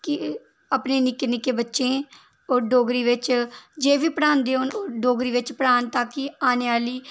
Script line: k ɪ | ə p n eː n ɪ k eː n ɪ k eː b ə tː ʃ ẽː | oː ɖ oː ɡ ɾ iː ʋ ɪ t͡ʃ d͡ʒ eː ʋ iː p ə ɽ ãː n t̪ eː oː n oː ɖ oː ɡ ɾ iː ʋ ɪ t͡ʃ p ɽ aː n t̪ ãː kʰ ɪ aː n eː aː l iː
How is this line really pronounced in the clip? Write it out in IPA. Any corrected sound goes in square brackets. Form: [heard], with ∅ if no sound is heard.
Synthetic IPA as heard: k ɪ | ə p n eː n ɪ k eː n ɪ k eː b ə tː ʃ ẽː | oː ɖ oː ɡ ɾ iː ʋ ɪ t͡ʃ d͡ʒ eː ʋ iː p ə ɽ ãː n [d̪] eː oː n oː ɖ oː ɡ ɾ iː ʋ ɪ t͡ʃ p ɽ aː n t̪ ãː [k] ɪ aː n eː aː l iː